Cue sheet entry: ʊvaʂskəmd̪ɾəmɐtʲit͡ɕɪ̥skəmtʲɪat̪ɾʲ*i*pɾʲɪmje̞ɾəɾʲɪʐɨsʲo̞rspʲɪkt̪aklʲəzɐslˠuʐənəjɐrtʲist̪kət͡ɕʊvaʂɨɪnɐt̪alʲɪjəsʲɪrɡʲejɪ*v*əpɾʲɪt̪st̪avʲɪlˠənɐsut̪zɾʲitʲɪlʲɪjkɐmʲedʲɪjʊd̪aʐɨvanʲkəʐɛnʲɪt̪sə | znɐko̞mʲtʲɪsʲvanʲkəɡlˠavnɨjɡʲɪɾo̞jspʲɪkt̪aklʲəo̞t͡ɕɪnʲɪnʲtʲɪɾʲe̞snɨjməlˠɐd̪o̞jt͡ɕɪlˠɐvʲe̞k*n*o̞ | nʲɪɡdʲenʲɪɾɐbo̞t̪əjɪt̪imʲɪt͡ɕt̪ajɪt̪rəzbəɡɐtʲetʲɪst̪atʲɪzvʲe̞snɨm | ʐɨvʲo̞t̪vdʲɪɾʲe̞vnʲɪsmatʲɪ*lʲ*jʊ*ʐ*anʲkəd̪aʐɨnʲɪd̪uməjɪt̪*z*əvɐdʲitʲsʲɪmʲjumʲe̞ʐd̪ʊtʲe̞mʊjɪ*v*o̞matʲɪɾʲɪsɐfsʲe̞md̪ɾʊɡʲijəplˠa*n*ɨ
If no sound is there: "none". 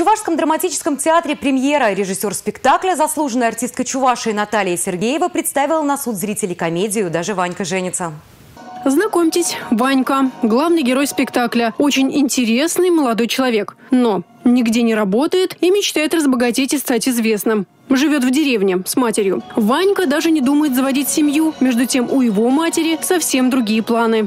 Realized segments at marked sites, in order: ɪ, v, n, ɾʲ, v, z, v, n

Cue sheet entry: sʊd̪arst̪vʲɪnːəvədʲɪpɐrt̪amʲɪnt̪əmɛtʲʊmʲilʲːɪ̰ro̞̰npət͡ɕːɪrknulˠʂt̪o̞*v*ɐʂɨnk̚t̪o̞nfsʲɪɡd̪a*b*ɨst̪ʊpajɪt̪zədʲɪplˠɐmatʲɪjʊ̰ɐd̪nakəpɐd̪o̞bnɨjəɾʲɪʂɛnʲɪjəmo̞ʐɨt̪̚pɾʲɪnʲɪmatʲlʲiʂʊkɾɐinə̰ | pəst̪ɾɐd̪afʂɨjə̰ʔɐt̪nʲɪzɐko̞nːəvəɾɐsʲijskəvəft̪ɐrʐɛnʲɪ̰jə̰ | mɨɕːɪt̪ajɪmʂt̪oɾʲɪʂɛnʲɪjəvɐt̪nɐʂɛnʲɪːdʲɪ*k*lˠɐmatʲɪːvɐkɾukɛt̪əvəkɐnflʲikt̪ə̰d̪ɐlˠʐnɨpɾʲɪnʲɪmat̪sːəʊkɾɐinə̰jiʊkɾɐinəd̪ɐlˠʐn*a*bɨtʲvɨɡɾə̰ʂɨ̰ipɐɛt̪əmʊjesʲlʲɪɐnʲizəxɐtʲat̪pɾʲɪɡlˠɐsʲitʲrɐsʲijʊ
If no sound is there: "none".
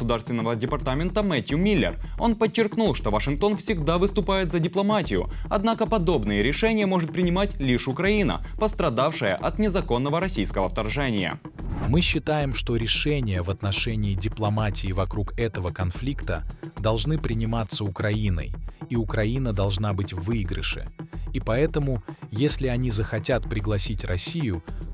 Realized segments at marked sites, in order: v, v, p, a

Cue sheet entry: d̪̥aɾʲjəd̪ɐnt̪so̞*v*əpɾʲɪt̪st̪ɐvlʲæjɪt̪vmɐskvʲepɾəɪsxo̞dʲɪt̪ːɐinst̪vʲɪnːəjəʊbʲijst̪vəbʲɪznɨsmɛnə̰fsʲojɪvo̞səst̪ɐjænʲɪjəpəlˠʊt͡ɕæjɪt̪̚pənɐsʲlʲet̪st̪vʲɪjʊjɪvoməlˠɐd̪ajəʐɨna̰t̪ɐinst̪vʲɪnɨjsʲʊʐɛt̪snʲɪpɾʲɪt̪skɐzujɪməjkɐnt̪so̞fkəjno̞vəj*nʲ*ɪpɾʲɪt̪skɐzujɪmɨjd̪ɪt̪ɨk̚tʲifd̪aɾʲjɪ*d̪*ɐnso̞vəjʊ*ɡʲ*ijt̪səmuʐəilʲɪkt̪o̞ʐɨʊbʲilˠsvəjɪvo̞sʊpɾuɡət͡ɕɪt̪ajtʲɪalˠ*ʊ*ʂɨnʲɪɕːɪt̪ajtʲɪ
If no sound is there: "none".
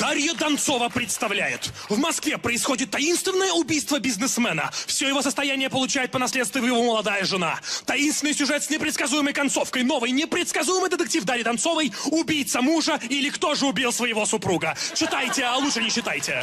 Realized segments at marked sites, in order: v, nʲ, d̪, bʲ, u

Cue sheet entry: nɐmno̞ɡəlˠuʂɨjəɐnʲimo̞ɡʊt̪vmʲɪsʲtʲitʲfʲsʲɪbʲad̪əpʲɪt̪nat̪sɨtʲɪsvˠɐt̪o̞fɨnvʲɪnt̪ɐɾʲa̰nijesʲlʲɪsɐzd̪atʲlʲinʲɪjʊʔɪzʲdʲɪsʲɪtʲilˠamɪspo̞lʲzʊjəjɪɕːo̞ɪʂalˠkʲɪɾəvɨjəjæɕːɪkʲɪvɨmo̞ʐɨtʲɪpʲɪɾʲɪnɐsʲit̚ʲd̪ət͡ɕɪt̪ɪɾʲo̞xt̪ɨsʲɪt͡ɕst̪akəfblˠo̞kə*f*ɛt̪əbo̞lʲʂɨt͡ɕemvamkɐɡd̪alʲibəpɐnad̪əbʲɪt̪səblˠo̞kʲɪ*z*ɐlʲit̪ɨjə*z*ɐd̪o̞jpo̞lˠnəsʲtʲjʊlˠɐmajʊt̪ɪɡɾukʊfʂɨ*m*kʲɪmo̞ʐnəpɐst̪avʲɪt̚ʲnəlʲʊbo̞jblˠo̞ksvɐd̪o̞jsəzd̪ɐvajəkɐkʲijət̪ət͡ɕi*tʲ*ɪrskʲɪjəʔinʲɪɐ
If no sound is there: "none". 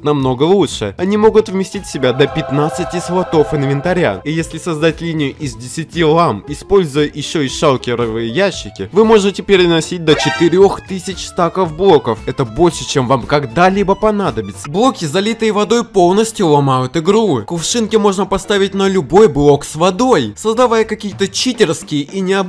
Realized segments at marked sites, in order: f, z, v, n, tʲ

